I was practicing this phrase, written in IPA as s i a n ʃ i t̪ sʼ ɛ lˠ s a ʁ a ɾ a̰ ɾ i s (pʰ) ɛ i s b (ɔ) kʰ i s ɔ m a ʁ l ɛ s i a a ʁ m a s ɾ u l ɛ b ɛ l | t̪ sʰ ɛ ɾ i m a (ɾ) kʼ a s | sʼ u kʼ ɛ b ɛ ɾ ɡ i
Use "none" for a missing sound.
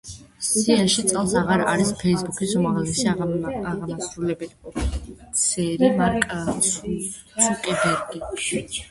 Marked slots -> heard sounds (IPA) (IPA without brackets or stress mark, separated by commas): pʰ, u, ɾ